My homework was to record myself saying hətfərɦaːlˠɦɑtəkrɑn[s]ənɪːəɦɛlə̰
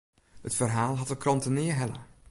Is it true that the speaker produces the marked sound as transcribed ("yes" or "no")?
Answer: no